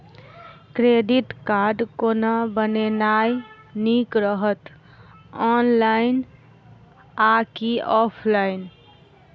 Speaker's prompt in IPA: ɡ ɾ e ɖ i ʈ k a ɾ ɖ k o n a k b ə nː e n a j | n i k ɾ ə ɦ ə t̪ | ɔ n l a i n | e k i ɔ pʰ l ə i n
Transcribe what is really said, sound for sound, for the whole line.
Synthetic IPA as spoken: k ɾ e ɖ i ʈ k a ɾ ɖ k o n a b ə n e n a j | n i k ɾ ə ɦ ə t̪ | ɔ n l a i n | a k i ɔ pʰ l a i n